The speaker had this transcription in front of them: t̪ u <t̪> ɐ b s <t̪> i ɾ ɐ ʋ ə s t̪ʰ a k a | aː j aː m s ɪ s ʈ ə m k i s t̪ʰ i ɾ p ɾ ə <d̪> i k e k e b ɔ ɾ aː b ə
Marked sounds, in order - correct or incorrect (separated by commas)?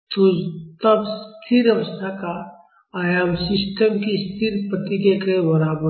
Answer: correct, incorrect, incorrect